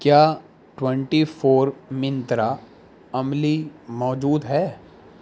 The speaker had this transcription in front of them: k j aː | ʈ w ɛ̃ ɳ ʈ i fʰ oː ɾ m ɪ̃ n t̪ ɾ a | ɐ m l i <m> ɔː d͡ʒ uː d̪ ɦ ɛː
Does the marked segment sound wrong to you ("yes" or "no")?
no